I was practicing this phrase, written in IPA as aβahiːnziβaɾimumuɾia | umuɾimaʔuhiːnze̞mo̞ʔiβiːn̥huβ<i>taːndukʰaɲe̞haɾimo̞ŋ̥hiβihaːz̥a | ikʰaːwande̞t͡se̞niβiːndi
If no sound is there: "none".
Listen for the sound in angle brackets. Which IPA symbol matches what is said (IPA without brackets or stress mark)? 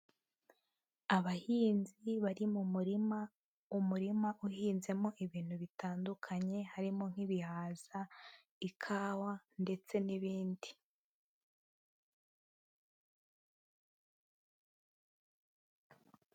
i